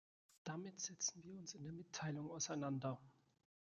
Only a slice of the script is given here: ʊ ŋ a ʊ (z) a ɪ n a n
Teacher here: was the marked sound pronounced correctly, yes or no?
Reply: no